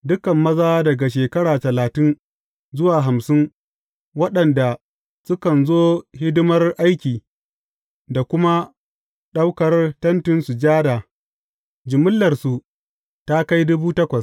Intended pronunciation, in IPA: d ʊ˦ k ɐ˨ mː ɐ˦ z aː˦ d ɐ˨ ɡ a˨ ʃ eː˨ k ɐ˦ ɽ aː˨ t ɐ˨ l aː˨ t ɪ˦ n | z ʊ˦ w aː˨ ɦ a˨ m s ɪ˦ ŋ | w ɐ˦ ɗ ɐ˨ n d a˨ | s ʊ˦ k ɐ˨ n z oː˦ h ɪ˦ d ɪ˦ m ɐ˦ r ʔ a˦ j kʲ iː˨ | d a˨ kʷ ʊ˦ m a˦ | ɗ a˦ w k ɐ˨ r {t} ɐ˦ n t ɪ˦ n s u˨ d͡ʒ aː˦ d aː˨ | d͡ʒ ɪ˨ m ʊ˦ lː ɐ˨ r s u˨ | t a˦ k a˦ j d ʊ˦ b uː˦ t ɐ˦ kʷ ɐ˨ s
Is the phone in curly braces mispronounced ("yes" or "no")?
no